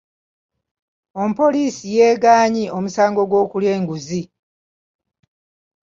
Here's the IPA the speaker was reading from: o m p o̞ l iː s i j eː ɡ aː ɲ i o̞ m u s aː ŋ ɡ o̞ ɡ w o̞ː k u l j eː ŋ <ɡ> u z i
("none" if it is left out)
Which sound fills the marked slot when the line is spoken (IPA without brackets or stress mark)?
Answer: ɡ